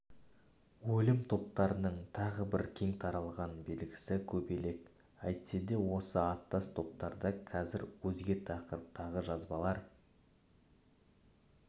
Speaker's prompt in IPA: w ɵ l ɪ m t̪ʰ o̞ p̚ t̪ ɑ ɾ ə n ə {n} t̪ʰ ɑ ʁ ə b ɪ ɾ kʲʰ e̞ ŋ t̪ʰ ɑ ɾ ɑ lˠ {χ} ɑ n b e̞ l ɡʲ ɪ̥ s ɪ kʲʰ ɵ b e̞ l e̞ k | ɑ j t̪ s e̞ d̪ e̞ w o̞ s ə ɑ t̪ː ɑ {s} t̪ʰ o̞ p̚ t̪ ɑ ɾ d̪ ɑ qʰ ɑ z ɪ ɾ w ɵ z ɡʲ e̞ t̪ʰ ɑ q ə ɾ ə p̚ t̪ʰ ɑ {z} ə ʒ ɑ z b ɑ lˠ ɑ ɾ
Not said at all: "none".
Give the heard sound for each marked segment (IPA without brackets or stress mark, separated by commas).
ɴ, ʁ, s, ʁ